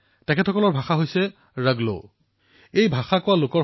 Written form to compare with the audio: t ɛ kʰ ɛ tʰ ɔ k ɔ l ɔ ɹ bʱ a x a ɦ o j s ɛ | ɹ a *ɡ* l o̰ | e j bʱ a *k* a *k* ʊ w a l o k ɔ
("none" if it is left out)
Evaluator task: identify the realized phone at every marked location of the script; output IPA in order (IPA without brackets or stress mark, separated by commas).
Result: ɡ, x, k